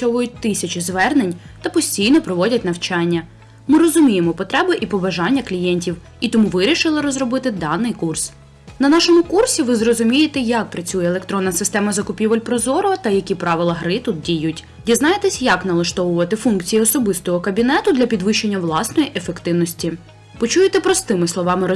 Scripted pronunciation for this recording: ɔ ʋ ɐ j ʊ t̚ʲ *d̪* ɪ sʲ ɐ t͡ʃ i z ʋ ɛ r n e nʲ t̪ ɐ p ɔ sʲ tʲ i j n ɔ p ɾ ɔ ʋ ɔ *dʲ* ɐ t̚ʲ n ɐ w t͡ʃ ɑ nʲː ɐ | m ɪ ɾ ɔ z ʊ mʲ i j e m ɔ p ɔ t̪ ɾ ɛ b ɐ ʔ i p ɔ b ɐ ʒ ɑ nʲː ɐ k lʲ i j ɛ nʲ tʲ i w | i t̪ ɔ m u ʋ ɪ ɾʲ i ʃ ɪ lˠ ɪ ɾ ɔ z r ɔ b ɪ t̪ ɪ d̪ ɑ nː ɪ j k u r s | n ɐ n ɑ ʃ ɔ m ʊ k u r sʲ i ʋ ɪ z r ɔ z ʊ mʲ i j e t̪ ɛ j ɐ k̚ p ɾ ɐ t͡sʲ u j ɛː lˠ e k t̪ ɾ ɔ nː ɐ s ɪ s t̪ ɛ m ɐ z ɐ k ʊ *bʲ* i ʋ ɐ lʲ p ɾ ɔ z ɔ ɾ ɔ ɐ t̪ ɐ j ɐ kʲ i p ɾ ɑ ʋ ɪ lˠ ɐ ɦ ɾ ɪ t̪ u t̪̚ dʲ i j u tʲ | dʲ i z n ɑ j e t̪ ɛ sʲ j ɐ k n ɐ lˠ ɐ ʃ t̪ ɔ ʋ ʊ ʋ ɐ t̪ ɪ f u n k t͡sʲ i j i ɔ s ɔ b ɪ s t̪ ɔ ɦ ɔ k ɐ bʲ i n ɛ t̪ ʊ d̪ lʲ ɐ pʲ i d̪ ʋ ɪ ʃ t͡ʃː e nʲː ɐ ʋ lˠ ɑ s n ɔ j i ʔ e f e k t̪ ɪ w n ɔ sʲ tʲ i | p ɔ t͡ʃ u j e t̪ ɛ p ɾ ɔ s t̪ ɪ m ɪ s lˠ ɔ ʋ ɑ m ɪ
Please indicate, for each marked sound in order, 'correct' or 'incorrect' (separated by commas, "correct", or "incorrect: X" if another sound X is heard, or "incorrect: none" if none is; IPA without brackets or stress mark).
incorrect: t̪, correct, incorrect: pʲ